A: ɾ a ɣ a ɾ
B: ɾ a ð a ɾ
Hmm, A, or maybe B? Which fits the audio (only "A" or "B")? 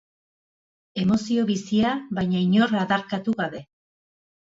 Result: B